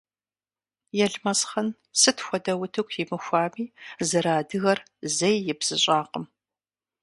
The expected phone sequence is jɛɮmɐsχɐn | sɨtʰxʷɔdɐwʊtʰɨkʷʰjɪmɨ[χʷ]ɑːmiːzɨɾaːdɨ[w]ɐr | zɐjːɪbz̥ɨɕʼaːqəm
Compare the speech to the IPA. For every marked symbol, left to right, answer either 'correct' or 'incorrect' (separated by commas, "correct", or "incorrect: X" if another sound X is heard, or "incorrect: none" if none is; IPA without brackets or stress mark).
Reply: incorrect: xʷ, incorrect: ɣ